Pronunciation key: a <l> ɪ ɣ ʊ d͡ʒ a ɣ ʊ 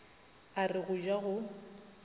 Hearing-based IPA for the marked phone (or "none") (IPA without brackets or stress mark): r